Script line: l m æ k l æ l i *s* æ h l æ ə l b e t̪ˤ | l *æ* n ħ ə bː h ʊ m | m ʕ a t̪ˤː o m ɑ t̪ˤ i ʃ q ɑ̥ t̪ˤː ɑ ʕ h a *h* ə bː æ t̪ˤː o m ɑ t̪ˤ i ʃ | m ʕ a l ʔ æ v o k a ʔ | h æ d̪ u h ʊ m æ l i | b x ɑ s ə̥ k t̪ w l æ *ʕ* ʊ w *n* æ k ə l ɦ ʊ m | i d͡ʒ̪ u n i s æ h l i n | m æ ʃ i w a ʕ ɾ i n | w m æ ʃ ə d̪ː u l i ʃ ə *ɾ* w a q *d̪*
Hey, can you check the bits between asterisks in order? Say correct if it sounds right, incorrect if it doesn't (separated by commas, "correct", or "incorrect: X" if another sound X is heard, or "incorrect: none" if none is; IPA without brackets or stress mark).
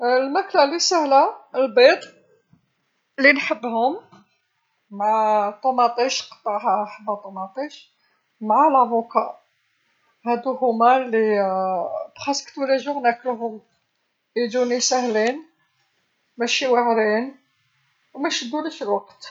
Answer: correct, incorrect: i, incorrect: ħ, incorrect: ʒ, correct, incorrect: l, incorrect: t̪